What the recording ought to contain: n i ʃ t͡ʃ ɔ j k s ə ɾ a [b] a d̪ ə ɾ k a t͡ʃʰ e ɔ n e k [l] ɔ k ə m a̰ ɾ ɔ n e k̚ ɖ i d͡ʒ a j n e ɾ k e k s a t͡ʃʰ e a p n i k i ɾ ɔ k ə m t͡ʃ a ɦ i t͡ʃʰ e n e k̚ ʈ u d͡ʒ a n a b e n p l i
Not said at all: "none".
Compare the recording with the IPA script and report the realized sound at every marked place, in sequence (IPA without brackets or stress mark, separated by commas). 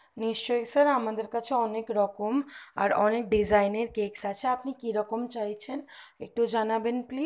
m, ɾ